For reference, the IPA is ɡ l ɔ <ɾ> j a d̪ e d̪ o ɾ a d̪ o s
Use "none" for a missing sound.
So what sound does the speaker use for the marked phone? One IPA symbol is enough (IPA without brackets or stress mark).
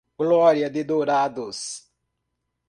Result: ɾ